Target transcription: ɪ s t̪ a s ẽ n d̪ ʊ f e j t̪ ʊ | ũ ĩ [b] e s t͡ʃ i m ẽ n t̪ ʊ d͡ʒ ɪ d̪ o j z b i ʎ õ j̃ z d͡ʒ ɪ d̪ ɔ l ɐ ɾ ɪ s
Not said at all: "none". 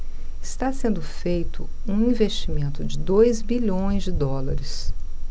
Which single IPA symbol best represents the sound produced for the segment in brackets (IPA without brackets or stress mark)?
v